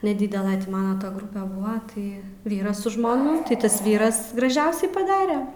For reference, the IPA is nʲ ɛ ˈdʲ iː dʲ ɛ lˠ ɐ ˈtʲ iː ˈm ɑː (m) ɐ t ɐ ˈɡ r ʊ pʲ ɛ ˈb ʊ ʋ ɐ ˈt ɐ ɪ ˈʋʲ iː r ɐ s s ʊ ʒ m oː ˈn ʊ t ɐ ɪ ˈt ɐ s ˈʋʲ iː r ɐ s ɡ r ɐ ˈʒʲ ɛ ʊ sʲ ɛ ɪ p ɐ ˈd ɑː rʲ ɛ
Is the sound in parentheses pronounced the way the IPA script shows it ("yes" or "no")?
no